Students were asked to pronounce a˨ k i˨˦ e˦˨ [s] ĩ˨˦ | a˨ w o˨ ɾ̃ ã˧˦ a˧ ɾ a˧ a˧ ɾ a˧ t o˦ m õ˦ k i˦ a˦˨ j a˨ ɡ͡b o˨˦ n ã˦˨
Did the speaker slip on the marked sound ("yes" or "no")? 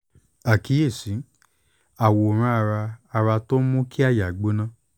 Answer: no